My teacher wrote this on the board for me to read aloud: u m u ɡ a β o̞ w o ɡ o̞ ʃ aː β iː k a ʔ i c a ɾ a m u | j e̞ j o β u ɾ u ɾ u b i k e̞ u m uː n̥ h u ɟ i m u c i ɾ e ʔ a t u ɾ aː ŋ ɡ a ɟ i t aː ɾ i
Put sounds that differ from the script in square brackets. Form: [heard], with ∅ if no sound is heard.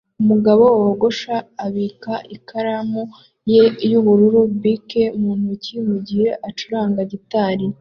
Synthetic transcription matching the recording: u m u ɡ a β o̞ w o ɡ o̞ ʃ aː β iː k a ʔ i [k] a ɾ a m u | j e̞ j [u] β u ɾ u ɾ u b i k e̞ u m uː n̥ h u [c] i m u [ɟ] i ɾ e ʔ a [t͡ʃ] u ɾ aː ŋ ɡ a ɟ i t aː ɾ i

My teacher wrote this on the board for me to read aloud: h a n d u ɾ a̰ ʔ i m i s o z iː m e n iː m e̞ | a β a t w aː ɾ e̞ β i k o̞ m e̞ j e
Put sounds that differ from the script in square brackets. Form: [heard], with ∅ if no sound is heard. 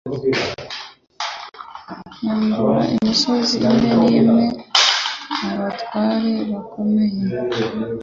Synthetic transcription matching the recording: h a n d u ɾ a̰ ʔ i m i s o z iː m e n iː m e̞ | a β a t w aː ɾ e̞ β [a] k o̞ m e̞ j e

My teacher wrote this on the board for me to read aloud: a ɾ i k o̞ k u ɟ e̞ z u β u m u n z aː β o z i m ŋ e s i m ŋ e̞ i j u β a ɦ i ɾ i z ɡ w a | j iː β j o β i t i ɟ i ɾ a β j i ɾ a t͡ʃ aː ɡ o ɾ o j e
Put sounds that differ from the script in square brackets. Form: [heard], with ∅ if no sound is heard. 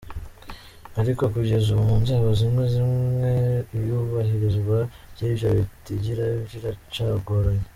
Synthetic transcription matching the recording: a ɾ i k o̞ k u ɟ e̞ z u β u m u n z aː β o z i m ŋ e [z] i m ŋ e̞ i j u β a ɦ i ɾ i z ɡ w a | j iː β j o β i t i ɟ i ɾ a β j i ɾ a t͡ʃ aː ɡ o ɾ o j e

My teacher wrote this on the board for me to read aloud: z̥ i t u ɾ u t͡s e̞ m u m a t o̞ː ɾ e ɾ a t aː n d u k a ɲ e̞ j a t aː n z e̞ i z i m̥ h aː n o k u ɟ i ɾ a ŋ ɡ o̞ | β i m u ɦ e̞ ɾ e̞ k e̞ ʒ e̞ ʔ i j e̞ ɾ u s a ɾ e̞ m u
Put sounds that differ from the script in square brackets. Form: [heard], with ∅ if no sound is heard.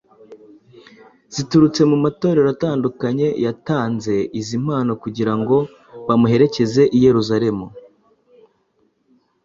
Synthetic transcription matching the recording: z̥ i t u ɾ u t͡s e̞ m u m a t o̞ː ɾ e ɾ a t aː n d u k a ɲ e̞ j a t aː n z e̞ i z i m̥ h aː n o k u ɟ i ɾ a ŋ ɡ o̞ | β [a] m u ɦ e̞ ɾ e̞ [c] e̞ [z] e̞ ʔ i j e̞ ɾ u [z] a ɾ e̞ m u

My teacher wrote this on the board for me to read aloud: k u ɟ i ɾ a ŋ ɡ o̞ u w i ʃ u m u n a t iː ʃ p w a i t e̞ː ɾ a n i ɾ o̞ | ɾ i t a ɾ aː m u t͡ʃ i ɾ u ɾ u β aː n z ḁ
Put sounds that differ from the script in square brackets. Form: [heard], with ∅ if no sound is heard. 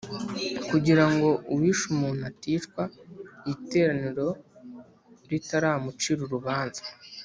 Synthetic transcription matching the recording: k u ɟ i ɾ a ŋ ɡ o̞ u w i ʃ u m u n a t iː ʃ [k] w a i t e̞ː ɾ a n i ɾ o̞ | ɾ i t a ɾ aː m u t͡ʃ i ɾ u ɾ u β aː n z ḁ

